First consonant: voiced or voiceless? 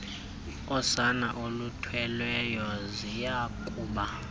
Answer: voiceless